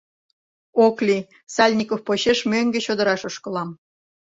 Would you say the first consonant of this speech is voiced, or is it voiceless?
voiceless